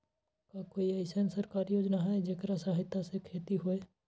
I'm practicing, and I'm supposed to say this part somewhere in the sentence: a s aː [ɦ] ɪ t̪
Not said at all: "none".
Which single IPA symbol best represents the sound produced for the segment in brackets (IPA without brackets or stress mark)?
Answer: ɦ